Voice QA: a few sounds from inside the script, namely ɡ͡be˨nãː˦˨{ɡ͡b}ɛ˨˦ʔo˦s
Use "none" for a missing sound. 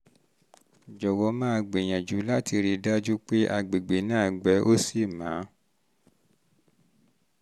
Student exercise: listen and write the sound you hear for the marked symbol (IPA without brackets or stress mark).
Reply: ɡ͡b